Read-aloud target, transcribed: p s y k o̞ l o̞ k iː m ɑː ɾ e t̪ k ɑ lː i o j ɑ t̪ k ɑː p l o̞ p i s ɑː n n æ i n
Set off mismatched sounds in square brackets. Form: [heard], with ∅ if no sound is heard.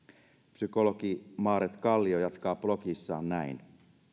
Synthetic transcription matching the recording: p s y k o̞ l o̞ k [i] m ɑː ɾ e t̪ k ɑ lː i o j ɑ t̪ k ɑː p l o̞ [k] i [sː] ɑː n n æ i n